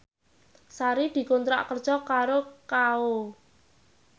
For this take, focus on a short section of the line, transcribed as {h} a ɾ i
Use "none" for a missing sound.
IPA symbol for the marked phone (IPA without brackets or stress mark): s